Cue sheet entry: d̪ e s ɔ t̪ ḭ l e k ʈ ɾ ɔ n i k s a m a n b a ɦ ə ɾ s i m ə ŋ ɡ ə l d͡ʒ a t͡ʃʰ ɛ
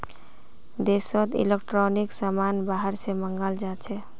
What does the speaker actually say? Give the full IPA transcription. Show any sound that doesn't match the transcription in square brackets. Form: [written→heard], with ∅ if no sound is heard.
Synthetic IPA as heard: d̪ e s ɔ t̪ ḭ l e k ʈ ɾ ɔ n i k s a m a n b a ɦ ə ɾ s [i→e] m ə ŋ ɡ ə l d͡ʒ a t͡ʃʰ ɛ

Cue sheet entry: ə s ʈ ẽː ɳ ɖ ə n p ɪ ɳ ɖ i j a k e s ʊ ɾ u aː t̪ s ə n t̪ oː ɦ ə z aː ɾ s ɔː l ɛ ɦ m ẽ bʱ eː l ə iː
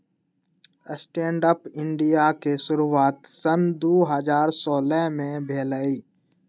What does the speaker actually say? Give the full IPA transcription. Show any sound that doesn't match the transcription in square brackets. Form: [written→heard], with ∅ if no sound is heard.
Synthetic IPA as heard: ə s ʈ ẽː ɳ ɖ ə [n→∅] p ɪ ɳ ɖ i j a k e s ʊ ɾ u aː t̪ s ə n [t̪→d̪] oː ɦ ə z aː ɾ s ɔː l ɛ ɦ m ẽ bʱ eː l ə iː

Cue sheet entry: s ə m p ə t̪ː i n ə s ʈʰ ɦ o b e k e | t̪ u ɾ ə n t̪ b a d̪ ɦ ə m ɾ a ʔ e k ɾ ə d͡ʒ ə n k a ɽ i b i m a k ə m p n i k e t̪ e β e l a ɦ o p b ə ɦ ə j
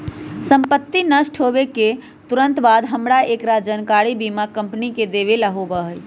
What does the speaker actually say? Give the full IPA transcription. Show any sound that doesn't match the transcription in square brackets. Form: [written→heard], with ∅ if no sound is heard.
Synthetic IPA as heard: s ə m p ə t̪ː i n ə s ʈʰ ɦ o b e k e | t̪ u ɾ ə n t̪ b a d̪ ɦ ə m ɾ a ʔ e k ɾ [ə→a] d͡ʒ ə n k a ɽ i b i m a k ə m p n i k e [t̪→d̪] e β e l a ɦ o [p→∅] b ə ɦ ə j

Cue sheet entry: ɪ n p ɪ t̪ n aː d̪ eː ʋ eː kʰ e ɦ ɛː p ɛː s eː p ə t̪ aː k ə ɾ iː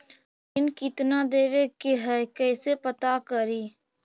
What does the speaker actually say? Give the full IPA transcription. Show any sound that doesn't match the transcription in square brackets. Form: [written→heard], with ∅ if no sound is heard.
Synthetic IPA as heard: ɪ n [p→k] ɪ t̪ n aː d̪ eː ʋ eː [kʰ→k] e ɦ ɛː [p→k] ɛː s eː p ə t̪ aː k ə ɾ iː

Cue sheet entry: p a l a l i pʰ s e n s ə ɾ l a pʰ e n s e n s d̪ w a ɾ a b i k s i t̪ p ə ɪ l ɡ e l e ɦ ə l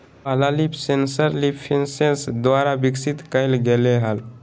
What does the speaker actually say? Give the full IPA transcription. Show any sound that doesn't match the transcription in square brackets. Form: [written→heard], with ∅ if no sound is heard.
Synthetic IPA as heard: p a l a l i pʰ s e n s ə ɾ l [a→i] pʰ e n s e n s d̪ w a ɾ a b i k s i t̪ [p→k] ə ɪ l ɡ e l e ɦ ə l

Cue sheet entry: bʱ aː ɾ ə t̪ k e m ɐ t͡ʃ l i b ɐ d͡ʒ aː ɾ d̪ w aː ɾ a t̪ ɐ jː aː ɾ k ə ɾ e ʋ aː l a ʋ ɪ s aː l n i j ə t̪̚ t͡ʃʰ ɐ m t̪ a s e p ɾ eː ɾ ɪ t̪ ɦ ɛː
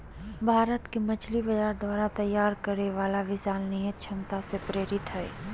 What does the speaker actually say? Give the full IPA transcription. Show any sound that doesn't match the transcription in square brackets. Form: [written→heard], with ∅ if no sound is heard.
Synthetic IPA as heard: bʱ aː ɾ ə t̪ k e m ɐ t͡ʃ l i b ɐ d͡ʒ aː ɾ d̪ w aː ɾ a t̪ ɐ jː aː ɾ k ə ɾ e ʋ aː l a ʋ ɪ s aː l n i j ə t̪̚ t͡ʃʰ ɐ m t̪ a s e p ɾ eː ɾ ɪ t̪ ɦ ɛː

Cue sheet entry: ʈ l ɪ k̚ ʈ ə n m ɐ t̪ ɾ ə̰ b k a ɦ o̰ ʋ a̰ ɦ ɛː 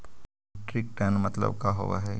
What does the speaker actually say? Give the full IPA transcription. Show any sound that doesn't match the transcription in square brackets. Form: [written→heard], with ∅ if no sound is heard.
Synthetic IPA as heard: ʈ [l→ɾ] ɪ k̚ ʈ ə n m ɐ t̪ [ɾ→l] ə̰ b k a ɦ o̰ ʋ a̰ ɦ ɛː

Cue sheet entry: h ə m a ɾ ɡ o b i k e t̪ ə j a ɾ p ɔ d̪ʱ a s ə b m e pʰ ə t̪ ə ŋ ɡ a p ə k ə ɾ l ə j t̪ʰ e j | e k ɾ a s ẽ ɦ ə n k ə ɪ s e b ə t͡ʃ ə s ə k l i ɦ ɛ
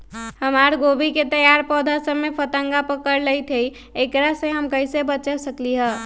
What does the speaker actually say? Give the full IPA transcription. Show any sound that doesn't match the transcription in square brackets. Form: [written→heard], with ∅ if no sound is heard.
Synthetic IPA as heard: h ə m a ɾ ɡ o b i k e t̪ ə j a ɾ p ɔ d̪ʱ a s ə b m e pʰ ə t̪ ə ŋ ɡ a p ə k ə ɾ l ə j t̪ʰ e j | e k ɾ a s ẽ ɦ ə [n→m] k ə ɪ s e b ə t͡ʃ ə s ə k l i ɦ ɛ

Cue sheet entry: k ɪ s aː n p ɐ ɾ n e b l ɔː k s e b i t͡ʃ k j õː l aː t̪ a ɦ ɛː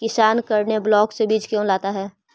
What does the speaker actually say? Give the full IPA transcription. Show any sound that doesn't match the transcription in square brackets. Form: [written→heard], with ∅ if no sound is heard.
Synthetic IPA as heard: k ɪ s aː n [p→k] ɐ ɾ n e b l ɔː k s e b [i→iː] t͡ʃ k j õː l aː t̪ a ɦ ɛː

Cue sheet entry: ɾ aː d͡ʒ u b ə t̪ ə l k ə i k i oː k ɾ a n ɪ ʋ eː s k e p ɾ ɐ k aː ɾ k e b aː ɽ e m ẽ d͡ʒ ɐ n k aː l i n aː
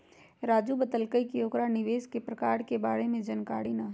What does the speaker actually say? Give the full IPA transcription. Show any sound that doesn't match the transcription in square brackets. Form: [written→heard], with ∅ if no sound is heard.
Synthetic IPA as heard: ɾ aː d͡ʒ u b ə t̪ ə l k ə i k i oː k ɾ a n ɪ ʋ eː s k e p ɾ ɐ k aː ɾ k e b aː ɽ e m ẽ d͡ʒ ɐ n k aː [l→ɽ] i n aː

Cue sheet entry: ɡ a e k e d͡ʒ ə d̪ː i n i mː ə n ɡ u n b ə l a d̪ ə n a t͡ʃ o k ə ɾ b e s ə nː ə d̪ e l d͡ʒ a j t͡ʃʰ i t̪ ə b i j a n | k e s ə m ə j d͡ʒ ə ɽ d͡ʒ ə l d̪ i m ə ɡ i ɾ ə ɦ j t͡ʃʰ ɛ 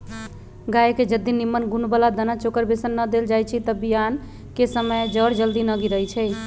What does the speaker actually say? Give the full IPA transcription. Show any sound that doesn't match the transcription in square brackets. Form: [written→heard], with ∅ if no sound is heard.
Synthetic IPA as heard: ɡ a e k e d͡ʒ ə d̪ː i n i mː ə n ɡ u n b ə l a d̪ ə n a t͡ʃ o k ə ɾ b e s ə nː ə d̪ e l d͡ʒ a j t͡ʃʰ i t̪ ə b i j a n | k e s ə m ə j d͡ʒ ə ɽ d͡ʒ ə l d̪ i [m→n] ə ɡ i ɾ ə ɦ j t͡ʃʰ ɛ

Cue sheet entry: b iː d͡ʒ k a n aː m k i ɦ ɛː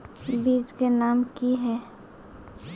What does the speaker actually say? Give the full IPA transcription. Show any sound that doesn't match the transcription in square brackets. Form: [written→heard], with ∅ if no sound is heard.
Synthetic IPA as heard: b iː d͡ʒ k [a→e] n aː m k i ɦ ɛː

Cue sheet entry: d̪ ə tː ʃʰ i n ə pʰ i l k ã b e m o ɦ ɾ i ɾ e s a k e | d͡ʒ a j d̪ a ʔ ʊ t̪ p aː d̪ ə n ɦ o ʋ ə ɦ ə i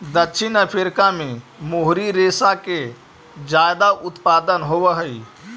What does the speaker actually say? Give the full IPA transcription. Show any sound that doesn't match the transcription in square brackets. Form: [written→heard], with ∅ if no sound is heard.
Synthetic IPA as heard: d̪ ə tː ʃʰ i n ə pʰ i [l→ɾ] k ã [b→m] e m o ɦ ɾ i ɾ e s a k e | d͡ʒ a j d̪ a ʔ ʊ t̪ p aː d̪ ə n ɦ o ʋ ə ɦ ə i

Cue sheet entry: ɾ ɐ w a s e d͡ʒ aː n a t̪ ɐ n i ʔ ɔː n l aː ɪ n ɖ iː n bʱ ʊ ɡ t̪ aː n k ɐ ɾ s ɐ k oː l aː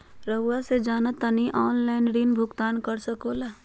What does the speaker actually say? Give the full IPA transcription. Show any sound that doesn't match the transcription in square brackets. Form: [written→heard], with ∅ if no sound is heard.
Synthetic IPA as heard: ɾ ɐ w a s e d͡ʒ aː n a t̪ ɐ n i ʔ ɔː n l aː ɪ n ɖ iː n bʱ ʊ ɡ t̪ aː n k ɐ ɾ s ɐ k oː l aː

